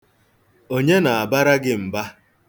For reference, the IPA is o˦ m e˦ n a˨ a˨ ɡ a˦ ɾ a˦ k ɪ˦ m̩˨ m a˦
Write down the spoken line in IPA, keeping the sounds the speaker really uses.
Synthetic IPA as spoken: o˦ ɲ e˦ n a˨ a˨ b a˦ ɾ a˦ ɡ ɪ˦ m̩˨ b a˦